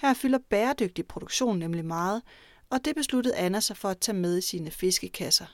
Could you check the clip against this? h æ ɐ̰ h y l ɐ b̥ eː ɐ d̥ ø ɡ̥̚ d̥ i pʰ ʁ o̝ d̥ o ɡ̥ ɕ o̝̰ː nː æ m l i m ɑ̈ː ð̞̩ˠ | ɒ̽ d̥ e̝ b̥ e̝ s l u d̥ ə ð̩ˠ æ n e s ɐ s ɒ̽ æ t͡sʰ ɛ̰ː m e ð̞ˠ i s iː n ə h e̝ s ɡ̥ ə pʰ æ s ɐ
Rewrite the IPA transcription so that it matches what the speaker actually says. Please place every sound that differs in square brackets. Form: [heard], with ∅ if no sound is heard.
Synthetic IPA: h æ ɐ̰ [f] y l ɐ b̥ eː ɐ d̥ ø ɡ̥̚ d̥ i pʰ ʁ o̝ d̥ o ɡ̥ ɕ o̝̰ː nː [e] m l i m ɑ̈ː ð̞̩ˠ | ɒ̽ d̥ e̝ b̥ e̝ s l u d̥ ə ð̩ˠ æ n [æ] s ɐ [f] ɒ̽ æ t͡sʰ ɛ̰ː m e ð̞ˠ i s iː n ə [f] e̝ s ɡ̥ ə [kʰ] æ s ɐ